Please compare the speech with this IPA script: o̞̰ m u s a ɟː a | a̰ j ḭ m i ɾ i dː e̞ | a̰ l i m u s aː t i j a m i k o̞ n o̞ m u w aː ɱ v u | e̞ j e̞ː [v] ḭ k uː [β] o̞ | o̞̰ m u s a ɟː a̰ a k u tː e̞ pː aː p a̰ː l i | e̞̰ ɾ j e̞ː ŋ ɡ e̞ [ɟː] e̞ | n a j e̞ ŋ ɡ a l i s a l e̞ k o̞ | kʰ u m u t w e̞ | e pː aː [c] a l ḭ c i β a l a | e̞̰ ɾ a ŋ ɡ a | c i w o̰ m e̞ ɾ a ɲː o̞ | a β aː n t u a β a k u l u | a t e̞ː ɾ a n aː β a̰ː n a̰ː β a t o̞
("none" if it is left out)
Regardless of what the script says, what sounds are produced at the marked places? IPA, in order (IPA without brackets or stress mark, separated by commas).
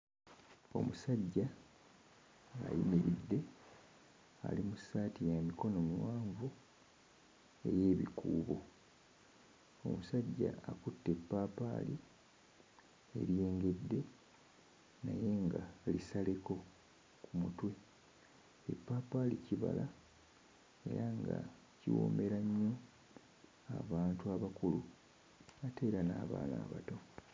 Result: β, β, dː, p